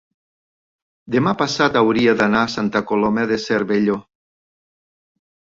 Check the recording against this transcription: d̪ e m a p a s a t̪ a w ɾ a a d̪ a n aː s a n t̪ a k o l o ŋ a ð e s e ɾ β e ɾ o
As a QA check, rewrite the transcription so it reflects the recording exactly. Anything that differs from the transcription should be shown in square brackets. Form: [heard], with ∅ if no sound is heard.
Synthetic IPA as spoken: d̪ e m a p a s a t̪ a w ɾ [i] a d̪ a n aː s a n t̪ a k o l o [m] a ð e s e ɾ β e [ʎ] o